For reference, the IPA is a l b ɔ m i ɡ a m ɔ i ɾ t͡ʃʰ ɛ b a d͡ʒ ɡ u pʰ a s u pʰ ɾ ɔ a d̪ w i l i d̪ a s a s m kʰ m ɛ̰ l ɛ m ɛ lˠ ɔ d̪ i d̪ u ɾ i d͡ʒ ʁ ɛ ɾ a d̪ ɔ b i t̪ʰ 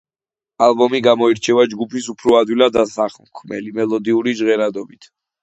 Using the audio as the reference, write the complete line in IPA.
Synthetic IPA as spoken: a l b ɔ m i ɡ a m ɔ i ɾ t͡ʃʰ ɛ v a d͡ʒ ɡ u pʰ i s u pʰ ɾ ɔ a d̪ w i l a d̪ a s a χ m kʰ m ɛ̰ l i m ɛ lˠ ɔ d̪ i u ɾ i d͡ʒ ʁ ɛ ɾ a d̪ ɔ b i t̪ʰ